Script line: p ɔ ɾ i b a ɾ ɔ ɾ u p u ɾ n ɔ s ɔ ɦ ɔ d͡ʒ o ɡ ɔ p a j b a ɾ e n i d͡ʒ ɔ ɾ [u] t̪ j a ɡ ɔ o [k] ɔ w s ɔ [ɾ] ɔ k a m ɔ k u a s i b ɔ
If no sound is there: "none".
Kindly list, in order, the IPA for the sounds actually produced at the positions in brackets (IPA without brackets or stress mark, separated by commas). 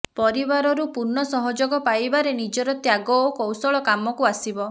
ɔ, k, ɭ